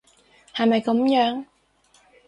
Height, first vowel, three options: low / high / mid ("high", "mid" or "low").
low